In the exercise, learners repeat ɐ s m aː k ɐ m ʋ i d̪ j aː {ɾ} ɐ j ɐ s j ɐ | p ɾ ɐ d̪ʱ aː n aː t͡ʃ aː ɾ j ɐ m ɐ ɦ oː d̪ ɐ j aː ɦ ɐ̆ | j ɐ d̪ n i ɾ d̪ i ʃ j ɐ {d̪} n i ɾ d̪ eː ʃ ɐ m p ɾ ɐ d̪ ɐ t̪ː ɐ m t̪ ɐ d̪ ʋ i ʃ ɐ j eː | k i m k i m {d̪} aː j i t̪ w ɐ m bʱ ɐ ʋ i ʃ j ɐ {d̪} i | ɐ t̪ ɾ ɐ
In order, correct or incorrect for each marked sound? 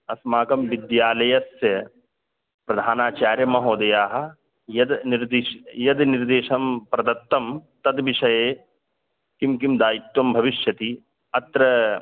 incorrect: l, correct, correct, incorrect: t̪

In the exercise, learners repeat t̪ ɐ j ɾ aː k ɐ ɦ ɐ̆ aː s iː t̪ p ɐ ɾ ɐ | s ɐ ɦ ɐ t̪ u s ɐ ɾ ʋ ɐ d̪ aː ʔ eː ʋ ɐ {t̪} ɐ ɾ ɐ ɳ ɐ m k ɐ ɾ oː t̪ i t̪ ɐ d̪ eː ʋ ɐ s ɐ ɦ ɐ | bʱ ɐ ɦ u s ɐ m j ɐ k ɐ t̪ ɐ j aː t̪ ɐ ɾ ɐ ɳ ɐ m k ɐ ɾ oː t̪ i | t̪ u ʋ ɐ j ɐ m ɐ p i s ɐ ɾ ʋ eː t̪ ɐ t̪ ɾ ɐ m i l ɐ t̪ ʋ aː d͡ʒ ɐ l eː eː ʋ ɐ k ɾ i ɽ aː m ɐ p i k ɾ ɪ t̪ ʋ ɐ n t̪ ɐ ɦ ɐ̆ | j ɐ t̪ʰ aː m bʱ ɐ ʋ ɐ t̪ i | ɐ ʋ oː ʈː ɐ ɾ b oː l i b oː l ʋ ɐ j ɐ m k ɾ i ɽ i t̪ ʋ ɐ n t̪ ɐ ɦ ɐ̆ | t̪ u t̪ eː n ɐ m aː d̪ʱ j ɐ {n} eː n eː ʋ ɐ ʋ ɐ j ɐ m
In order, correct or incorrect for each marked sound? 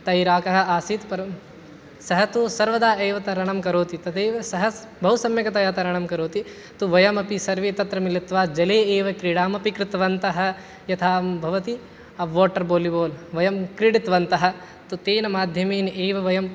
correct, incorrect: m

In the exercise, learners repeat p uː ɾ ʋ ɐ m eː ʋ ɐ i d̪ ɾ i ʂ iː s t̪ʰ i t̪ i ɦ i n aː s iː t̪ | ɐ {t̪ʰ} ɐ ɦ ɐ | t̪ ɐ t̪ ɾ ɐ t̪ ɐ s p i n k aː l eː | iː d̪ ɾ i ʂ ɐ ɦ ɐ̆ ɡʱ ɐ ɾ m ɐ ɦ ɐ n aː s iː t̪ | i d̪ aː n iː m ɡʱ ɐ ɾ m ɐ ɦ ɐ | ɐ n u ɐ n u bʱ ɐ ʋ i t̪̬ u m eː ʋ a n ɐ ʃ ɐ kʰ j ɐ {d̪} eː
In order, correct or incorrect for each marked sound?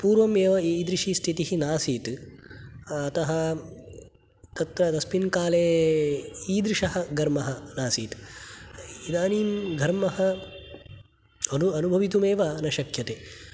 incorrect: t̪, incorrect: t̪

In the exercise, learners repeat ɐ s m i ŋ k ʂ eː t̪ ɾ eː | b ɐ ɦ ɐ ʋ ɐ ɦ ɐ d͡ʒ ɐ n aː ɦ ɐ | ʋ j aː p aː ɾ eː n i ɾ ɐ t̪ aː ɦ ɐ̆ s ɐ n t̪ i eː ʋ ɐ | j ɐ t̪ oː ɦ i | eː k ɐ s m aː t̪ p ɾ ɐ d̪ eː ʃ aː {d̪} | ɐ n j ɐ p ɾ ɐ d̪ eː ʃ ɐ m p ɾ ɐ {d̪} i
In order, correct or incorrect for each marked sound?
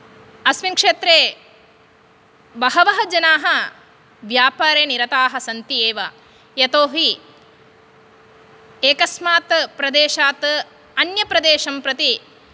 incorrect: t̪, incorrect: t̪

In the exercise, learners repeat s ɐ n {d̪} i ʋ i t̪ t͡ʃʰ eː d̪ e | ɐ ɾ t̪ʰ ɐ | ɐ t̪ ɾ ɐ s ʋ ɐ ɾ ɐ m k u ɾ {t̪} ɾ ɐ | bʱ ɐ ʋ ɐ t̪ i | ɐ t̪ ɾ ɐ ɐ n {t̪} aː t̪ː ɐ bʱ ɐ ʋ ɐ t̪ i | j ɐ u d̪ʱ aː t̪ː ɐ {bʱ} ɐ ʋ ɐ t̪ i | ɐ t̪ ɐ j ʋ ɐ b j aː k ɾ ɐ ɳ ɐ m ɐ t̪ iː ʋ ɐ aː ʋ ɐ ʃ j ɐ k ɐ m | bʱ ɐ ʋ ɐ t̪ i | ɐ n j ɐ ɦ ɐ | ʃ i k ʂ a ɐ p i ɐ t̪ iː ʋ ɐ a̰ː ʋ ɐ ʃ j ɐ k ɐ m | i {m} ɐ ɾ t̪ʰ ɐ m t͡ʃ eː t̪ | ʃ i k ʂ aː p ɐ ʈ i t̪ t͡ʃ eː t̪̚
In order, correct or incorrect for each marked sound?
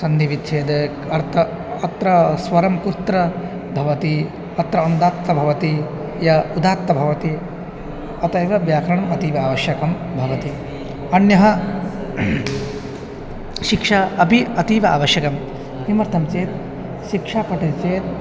correct, correct, incorrect: d̪, correct, correct

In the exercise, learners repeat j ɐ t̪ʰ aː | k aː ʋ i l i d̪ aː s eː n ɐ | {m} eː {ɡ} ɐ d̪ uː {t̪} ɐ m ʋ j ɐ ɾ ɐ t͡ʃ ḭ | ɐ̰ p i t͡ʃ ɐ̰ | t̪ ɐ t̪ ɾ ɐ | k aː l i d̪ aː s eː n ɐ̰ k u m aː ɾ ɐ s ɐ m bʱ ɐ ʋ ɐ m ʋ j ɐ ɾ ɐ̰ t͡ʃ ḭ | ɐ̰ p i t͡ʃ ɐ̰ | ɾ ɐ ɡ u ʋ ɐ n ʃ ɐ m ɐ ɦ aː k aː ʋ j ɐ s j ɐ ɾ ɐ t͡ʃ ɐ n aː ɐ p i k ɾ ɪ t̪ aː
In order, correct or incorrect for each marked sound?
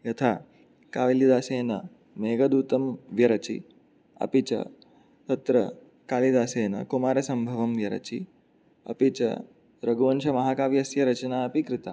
correct, correct, correct

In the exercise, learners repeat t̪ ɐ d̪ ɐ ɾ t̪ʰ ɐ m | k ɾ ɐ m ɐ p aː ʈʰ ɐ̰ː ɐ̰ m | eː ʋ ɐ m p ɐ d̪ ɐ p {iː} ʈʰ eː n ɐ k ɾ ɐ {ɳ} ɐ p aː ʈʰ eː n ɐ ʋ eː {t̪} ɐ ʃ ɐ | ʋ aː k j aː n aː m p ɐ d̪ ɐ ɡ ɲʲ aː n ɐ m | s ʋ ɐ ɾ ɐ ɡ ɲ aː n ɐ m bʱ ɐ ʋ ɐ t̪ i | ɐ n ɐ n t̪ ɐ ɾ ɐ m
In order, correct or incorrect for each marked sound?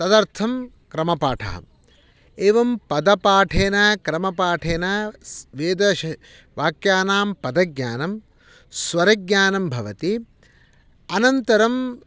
incorrect: aː, incorrect: m, incorrect: d̪

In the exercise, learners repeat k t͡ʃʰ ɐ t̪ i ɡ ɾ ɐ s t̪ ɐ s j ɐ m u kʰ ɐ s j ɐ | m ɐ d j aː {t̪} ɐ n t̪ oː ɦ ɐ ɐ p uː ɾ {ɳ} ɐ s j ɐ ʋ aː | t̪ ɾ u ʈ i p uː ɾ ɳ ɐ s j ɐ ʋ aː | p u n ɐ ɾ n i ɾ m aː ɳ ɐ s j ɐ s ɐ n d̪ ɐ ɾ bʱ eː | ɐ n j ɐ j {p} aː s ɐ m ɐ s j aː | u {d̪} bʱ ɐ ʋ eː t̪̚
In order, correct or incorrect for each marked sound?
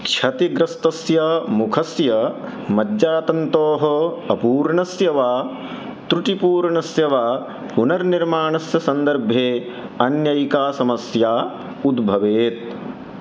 correct, correct, incorrect: k, correct

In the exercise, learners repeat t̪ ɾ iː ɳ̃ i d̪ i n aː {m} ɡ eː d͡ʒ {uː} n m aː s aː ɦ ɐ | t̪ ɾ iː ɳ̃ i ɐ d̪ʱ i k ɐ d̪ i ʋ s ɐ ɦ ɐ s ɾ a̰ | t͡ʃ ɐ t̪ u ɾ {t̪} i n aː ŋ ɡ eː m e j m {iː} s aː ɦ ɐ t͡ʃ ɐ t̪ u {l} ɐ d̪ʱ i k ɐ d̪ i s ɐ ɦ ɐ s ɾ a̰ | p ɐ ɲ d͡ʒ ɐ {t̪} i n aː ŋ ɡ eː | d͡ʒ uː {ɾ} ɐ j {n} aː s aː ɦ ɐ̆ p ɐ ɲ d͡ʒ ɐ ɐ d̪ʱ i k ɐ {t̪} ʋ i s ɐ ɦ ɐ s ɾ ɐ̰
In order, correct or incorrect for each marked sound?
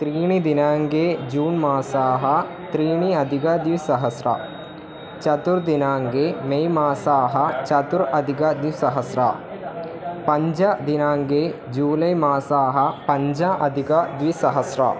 incorrect: ŋ, correct, incorrect: d̪, incorrect: aː, incorrect: ɾ, incorrect: d̪, incorrect: l, incorrect: m, incorrect: d̪

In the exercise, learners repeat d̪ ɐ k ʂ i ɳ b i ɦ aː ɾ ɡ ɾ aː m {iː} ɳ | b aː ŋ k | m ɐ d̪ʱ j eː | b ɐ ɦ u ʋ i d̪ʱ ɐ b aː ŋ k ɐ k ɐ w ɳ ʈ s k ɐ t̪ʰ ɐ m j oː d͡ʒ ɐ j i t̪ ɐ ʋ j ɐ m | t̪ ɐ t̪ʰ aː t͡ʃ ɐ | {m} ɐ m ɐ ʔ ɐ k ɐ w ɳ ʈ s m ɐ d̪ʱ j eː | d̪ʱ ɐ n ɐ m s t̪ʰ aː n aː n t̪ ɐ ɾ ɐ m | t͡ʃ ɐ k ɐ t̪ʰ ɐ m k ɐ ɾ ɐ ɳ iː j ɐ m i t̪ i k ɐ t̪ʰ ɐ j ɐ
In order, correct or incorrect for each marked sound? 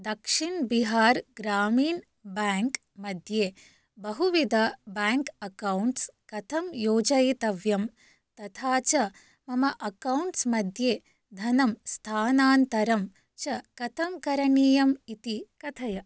correct, correct

